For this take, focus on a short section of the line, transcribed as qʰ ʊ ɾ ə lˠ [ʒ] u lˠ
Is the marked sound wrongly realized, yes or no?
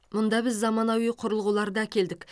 yes